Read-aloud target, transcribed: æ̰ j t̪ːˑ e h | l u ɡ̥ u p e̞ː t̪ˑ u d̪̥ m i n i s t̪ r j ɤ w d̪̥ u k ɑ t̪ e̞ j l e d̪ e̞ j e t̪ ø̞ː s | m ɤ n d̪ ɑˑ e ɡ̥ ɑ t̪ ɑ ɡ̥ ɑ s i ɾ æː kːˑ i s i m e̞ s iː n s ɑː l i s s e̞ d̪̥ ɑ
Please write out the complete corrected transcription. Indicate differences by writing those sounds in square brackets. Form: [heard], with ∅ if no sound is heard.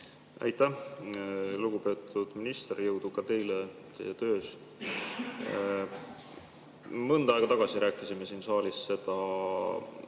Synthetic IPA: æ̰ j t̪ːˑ [æ] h | l u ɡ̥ u p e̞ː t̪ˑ u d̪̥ m i n i s t̪ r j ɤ w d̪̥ u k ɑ t̪ e̞ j l e [t̪] e̞ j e t̪ ø̞ː s | m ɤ n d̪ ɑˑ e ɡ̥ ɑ t̪ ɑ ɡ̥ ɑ s i ɾ æː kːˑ i s i m e̞ s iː n s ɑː l i s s e̞ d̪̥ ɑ